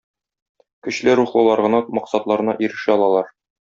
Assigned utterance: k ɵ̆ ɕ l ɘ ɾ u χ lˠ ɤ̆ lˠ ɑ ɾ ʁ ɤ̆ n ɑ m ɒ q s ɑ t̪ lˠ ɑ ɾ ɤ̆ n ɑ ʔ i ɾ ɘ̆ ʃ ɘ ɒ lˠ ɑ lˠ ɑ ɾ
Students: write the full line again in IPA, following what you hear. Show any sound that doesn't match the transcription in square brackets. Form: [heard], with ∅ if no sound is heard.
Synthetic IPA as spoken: k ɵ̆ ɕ l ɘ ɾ u χ lˠ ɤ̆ lˠ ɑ ɾ ʁ ɤ̆ n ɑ m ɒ q s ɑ t̪ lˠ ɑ ɾ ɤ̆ n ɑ ʔ i ɾ ɘ̆ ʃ ɘ ɒ lˠ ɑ lˠ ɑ ɾ